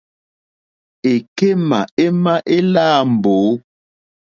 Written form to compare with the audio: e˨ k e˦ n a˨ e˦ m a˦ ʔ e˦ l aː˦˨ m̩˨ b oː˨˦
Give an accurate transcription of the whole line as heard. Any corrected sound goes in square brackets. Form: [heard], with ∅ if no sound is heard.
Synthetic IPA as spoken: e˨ k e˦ [m] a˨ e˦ m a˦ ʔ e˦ l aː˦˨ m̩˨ b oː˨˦